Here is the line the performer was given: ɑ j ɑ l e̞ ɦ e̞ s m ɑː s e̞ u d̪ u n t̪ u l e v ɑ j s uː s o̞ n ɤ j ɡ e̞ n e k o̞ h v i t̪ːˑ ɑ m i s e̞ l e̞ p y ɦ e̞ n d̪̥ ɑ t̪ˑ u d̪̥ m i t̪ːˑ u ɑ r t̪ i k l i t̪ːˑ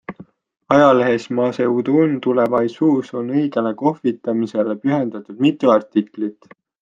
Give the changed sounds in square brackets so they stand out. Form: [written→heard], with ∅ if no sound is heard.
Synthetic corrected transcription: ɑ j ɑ l e̞ ɦ e̞ s m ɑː s e̞ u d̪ u n t̪ u l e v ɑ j s uː s o̞ n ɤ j ɡ e̞ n e k o̞ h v i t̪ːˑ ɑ m i s e̞ l e̞ p y ɦ e̞ n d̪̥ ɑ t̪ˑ u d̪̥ m i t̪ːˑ u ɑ r t̪ i k l i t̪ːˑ